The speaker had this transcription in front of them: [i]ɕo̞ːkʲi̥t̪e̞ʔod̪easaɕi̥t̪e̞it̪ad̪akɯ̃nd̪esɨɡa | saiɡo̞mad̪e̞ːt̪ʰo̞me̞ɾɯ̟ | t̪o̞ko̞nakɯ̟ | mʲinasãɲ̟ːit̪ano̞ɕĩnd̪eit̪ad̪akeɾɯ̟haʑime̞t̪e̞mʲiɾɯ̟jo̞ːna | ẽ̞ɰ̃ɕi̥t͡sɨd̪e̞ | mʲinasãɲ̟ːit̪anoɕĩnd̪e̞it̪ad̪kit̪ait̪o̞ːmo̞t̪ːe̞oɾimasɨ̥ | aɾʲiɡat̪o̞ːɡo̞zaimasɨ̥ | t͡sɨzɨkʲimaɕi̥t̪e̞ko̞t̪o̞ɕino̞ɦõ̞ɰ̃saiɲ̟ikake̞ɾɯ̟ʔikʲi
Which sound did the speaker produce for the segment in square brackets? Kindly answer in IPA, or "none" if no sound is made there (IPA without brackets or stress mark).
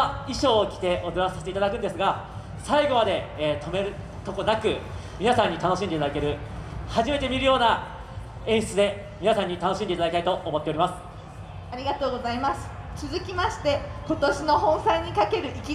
i